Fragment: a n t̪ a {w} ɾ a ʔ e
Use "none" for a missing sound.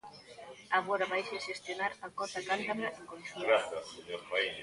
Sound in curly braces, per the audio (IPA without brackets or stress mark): β